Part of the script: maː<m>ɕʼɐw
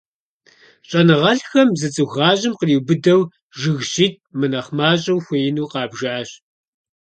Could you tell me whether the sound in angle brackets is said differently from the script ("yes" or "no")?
yes